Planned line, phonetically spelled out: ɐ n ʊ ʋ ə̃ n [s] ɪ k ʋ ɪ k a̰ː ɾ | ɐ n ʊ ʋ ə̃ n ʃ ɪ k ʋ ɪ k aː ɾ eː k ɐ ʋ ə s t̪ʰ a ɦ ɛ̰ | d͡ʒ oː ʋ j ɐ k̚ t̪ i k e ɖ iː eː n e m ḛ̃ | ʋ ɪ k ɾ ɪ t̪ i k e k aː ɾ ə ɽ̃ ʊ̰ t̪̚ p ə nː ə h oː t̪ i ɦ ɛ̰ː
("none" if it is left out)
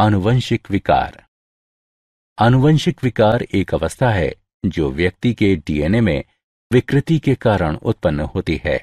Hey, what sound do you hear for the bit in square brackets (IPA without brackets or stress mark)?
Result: ʃ